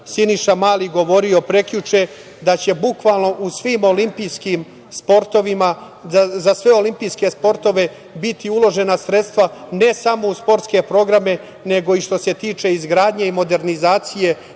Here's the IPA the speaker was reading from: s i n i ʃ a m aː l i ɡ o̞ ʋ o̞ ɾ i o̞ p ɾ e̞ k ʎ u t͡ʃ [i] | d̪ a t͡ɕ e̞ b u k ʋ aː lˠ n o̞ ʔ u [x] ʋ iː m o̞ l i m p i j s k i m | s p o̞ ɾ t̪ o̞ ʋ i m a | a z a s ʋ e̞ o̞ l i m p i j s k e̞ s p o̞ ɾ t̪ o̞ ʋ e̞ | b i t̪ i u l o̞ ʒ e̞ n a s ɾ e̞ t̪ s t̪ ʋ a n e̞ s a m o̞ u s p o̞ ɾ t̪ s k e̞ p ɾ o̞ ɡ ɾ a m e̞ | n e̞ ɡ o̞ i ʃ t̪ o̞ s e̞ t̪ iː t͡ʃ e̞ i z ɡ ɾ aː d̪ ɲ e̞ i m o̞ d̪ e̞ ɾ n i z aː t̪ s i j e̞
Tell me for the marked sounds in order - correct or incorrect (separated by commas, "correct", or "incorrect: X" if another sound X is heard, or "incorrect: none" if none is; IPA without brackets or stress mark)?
incorrect: e, incorrect: s